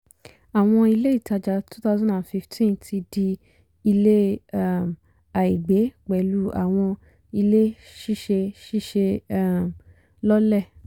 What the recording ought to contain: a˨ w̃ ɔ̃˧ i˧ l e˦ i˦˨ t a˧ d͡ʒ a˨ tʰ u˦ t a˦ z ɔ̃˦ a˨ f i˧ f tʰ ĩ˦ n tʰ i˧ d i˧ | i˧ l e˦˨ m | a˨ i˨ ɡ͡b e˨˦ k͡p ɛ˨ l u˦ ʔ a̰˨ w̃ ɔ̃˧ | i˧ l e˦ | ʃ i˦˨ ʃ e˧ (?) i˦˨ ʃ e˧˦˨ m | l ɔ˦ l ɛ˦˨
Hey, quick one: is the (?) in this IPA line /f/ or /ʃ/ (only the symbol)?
ʃ